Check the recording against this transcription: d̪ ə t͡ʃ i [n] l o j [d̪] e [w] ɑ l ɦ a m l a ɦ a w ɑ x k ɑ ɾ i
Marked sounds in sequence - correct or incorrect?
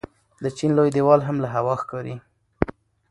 correct, correct, correct

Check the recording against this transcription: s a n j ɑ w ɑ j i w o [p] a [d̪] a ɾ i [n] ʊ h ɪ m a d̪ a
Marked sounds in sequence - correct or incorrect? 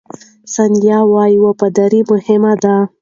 correct, correct, incorrect

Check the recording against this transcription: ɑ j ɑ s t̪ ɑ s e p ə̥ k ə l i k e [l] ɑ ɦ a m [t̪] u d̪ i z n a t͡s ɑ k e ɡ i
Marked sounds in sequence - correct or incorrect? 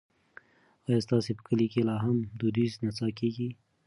correct, incorrect

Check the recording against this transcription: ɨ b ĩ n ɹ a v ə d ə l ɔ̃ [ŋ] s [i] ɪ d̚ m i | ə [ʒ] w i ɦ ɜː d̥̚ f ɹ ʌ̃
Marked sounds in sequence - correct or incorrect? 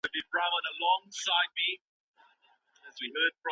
correct, incorrect, incorrect

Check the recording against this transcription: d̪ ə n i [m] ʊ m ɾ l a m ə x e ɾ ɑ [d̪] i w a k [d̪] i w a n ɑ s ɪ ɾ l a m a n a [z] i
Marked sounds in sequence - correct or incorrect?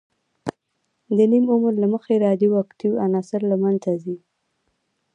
correct, correct, incorrect, correct

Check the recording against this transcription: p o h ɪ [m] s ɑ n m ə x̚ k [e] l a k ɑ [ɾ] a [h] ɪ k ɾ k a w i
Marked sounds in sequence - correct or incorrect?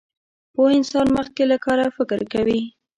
incorrect, correct, correct, incorrect

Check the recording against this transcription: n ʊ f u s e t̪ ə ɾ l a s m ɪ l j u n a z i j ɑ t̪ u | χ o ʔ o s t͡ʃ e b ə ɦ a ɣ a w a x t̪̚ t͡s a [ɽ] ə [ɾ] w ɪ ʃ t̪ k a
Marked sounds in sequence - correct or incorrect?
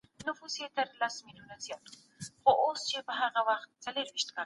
incorrect, correct

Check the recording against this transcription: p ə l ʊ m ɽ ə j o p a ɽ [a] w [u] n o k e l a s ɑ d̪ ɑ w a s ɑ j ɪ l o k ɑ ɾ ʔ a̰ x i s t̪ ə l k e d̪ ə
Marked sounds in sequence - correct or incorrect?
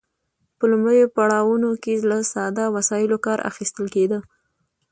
incorrect, correct

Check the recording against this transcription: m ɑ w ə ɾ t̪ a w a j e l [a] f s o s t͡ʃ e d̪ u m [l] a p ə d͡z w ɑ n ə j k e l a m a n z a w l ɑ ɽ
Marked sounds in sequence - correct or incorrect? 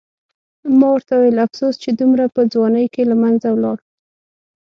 correct, incorrect

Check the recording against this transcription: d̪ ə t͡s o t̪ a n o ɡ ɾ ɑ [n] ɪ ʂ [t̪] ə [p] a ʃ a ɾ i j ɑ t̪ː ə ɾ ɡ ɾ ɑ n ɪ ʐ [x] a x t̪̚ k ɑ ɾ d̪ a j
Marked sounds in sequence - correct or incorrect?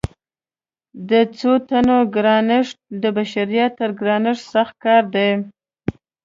correct, incorrect, incorrect, incorrect

